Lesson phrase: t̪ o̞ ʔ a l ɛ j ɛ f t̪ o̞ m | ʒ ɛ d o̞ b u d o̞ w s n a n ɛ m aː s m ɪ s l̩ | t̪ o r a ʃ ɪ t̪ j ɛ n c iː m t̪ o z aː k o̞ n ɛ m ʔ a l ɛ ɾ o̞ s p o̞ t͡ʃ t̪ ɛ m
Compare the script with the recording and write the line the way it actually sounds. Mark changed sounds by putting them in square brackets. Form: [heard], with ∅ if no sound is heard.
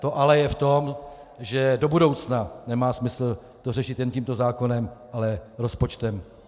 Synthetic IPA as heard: t̪ o̞ ʔ a l ɛ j ɛ f t̪ o̞ m | ʒ ɛ d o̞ b u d o̞ w [t͡s] n a n ɛ m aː s m ɪ s l̩ | t̪ o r [ɛ] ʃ ɪ t̪ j ɛ n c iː m t̪ o z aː k o̞ n ɛ m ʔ a l ɛ ɾ o̞ s p o̞ t͡ʃ t̪ ɛ m